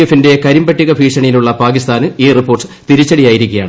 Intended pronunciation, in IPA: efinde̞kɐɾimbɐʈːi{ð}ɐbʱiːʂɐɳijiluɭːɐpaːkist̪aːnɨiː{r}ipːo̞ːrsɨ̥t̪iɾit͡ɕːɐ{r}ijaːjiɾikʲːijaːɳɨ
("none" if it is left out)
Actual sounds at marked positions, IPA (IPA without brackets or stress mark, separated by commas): ɣ, r, ɽ